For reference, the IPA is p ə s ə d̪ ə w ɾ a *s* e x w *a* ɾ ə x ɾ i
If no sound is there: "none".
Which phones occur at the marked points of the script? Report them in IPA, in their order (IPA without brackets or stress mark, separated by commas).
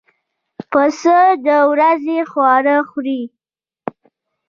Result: z, ɑ